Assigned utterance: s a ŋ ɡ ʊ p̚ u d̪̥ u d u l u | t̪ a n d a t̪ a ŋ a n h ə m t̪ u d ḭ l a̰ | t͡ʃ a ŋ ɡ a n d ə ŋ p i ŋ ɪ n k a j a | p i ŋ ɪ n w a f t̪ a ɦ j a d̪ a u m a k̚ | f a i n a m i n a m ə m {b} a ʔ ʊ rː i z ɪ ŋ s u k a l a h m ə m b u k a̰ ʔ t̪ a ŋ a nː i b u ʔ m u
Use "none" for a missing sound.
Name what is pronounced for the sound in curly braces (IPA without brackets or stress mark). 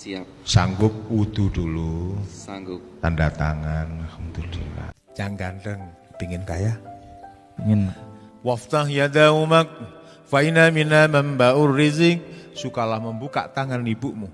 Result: b